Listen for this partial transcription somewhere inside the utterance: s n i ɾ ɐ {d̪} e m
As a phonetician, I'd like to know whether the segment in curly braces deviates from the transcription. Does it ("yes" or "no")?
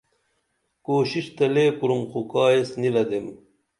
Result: no